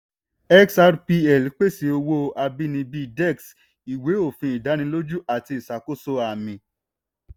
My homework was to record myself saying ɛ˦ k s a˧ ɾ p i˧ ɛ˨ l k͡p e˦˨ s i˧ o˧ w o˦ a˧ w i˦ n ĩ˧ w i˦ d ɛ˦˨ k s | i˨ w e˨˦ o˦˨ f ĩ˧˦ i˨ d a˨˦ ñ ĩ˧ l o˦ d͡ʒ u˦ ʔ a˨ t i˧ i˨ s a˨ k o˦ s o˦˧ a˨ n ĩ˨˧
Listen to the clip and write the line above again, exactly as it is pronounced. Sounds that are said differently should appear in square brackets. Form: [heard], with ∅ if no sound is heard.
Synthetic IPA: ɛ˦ k s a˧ ɾ p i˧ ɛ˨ l k͡p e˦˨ s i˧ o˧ w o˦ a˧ [b] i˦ n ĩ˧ [b] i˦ d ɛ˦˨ k s | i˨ w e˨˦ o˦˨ f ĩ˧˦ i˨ d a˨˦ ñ ĩ˧ l o˦ d͡ʒ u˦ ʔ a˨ t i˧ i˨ s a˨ k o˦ s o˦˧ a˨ [m] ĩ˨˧